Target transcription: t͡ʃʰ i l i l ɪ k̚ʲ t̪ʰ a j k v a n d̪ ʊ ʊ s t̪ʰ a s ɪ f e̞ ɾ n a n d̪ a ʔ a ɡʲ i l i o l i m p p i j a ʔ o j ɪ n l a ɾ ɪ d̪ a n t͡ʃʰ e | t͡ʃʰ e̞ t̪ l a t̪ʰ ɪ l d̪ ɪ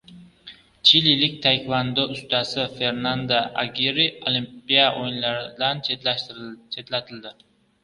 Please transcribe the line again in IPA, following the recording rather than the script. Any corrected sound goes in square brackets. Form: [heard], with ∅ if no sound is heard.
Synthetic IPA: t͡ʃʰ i l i l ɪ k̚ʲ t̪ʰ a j k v a n d̪ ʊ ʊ s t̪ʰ a s ɪ f e̞ ɾ n a n d̪ a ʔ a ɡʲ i [ɾ] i o l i m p p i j a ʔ o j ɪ n l a ɾ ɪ d̪ a n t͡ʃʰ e | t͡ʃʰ e̞ t̪ l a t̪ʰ ɪ l d̪ ɪ